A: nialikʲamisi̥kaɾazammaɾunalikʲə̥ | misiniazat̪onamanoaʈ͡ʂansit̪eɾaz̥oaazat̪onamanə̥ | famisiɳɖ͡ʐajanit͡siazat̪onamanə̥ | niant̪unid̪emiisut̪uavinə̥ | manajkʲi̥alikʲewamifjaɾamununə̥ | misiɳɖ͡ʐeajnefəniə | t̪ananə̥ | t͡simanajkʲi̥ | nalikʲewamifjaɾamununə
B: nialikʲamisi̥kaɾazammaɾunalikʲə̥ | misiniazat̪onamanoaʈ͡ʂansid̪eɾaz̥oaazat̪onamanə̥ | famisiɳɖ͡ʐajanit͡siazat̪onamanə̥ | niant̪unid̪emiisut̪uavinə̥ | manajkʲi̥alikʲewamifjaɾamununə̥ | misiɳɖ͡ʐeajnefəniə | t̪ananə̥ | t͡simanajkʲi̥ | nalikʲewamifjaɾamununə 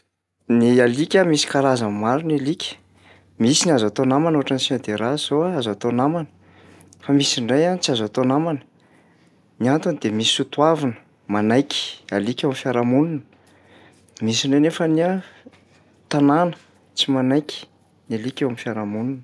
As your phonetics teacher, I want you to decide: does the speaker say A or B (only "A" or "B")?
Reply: B